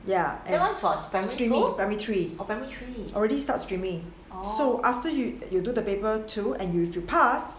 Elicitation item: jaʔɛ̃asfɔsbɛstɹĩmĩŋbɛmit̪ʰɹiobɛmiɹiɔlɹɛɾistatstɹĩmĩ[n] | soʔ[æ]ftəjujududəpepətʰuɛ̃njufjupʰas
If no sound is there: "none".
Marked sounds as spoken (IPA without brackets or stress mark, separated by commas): ŋ, a